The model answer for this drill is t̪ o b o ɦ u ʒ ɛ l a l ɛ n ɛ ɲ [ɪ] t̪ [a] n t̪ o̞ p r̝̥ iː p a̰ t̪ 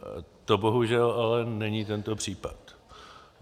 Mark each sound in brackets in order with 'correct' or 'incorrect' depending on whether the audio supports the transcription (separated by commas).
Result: incorrect, incorrect